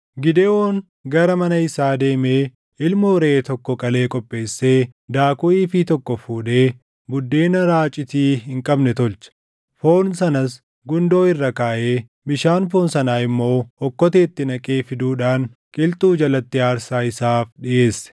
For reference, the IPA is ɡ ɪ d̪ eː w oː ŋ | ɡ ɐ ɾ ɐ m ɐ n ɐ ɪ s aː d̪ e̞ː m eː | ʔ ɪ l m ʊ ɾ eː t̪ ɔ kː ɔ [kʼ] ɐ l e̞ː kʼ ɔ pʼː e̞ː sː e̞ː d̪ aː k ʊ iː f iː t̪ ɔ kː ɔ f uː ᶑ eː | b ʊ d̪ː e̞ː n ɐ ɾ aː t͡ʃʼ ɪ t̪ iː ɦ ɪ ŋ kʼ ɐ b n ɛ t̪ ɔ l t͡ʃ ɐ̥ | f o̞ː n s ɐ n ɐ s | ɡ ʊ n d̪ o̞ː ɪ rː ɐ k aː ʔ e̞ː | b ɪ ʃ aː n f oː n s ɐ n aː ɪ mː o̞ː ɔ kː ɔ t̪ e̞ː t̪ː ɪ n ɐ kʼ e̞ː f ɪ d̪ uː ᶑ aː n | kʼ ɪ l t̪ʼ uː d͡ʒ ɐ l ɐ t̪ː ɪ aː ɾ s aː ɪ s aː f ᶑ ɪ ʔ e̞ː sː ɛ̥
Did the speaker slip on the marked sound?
no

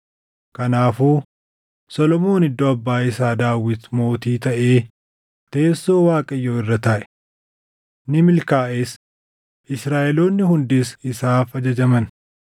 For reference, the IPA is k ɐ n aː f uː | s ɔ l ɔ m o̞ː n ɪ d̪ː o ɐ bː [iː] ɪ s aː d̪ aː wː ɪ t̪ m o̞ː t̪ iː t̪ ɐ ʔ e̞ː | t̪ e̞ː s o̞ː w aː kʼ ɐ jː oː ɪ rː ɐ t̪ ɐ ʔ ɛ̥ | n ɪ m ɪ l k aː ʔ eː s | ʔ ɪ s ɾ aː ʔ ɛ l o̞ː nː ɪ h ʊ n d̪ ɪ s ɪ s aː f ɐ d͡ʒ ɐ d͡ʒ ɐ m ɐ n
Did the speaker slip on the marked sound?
yes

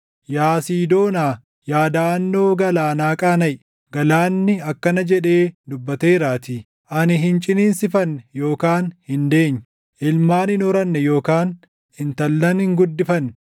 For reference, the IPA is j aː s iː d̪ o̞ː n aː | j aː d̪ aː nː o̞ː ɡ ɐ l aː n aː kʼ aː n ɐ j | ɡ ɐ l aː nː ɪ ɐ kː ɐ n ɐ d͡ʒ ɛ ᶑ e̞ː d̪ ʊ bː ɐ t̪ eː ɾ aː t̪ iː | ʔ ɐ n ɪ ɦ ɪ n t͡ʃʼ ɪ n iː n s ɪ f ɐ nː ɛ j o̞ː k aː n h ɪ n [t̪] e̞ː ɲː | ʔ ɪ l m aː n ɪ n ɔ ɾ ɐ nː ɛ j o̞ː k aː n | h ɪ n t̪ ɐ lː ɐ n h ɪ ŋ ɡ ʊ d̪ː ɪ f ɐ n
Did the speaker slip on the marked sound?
yes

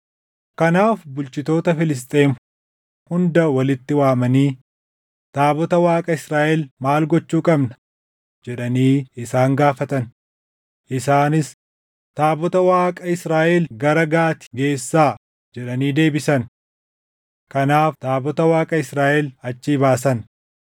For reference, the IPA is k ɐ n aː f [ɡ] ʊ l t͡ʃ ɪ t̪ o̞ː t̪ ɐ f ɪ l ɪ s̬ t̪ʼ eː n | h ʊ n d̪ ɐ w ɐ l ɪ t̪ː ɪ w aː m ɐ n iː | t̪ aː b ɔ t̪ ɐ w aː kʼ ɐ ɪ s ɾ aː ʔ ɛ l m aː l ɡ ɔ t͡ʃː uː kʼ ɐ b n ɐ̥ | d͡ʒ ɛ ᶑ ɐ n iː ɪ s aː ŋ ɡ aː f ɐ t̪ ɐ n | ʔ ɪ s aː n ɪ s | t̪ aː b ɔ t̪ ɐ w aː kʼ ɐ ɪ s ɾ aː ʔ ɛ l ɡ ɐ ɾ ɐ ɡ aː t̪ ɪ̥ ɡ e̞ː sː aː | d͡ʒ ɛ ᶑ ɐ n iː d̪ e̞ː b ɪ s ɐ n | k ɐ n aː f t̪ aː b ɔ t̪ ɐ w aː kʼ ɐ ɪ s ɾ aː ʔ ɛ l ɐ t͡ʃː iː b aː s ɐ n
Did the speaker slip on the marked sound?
yes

